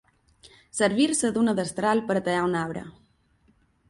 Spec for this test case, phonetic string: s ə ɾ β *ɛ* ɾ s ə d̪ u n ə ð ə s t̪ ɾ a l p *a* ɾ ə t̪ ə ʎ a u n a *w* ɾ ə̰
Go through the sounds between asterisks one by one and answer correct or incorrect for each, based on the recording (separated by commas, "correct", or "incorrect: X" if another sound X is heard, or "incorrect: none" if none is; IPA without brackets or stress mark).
incorrect: i, incorrect: ə, incorrect: β